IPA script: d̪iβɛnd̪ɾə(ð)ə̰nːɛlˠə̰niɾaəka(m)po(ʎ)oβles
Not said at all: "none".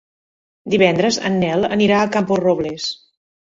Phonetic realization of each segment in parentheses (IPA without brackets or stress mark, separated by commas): z, m, r